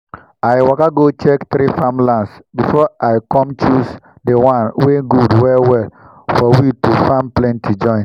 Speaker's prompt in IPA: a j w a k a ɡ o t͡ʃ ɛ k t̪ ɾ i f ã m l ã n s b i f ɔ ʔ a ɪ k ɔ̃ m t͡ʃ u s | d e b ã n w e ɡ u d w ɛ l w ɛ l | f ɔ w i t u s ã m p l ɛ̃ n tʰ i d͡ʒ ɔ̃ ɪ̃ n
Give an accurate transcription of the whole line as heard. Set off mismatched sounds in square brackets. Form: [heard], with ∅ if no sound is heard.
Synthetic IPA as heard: a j w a k a ɡ o t͡ʃ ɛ k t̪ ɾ i f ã m l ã n s b i f ɔ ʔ a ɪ k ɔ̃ m t͡ʃ u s | d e [w] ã n w e ɡ u d w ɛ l w ɛ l | f ɔ w i t u [f] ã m p l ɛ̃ n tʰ i d͡ʒ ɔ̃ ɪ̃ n